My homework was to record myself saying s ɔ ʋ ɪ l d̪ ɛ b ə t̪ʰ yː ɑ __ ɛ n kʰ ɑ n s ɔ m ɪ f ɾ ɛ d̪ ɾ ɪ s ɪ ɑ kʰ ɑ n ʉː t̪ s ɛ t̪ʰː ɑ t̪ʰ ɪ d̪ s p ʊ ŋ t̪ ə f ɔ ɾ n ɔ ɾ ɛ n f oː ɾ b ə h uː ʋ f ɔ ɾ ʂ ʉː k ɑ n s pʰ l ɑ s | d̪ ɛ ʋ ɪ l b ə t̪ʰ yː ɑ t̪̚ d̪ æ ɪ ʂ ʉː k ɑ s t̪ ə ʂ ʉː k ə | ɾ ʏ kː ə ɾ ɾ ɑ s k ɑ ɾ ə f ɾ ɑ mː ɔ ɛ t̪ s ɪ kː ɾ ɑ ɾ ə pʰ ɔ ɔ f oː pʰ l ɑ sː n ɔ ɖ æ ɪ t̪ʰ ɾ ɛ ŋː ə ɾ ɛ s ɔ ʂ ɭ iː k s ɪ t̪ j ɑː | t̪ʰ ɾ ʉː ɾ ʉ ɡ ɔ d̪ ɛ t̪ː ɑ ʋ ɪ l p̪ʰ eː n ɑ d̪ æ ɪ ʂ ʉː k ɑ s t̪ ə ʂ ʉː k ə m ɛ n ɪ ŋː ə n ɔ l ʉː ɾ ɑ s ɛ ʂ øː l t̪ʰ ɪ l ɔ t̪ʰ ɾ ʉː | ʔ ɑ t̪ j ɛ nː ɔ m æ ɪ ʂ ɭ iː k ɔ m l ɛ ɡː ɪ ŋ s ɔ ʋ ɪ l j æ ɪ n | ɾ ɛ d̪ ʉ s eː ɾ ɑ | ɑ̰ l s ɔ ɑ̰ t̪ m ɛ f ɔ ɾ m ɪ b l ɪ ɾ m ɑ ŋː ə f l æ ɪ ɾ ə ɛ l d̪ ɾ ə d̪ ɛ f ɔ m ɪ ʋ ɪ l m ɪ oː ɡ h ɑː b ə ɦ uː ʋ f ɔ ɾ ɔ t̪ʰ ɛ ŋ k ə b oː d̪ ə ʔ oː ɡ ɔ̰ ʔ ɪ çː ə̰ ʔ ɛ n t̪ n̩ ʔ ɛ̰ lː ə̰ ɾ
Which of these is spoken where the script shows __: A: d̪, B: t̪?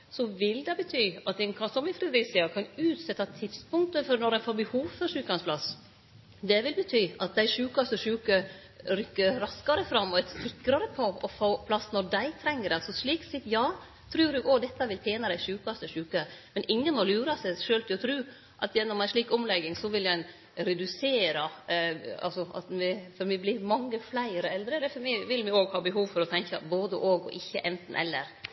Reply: B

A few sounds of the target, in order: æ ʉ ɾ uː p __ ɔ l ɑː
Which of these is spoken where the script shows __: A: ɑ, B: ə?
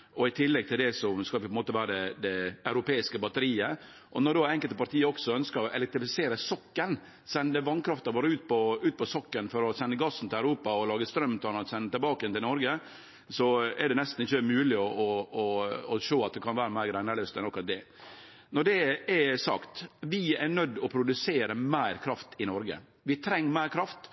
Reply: A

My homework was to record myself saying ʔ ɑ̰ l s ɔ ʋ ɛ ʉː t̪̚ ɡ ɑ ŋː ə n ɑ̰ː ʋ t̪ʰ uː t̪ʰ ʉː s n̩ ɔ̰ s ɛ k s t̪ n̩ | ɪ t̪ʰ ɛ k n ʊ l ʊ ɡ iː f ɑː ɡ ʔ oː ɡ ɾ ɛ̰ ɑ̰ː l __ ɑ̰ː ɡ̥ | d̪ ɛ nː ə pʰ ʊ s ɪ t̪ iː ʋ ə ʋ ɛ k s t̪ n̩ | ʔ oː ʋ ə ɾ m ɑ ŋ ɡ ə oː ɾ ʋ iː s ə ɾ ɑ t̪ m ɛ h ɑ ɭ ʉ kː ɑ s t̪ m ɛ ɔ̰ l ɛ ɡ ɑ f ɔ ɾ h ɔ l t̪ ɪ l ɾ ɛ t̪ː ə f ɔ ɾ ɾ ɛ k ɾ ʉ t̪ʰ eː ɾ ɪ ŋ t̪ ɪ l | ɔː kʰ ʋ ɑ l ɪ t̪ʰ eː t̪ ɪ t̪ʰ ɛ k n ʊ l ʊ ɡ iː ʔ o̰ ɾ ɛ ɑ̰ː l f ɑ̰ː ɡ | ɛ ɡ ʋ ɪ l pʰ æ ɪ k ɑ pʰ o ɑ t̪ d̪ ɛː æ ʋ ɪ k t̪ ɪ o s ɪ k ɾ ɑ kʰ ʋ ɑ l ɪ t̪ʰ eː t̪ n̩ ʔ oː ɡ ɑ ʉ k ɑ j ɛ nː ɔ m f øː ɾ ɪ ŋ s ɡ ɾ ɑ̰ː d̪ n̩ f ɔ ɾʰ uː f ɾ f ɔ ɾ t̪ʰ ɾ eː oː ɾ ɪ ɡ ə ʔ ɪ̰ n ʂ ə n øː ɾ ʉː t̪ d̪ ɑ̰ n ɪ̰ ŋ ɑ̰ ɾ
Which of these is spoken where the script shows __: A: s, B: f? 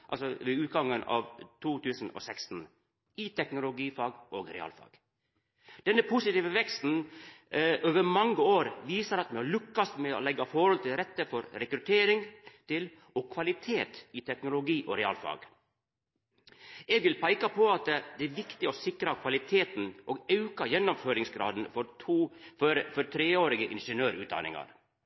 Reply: B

